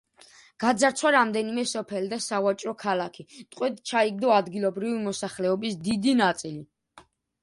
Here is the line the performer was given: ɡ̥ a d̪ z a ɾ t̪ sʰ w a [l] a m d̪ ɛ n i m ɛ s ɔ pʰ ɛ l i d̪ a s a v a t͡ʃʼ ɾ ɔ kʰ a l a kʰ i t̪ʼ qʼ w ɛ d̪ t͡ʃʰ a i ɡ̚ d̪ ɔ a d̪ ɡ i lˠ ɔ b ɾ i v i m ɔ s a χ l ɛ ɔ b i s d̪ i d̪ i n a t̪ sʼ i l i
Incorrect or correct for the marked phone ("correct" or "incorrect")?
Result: incorrect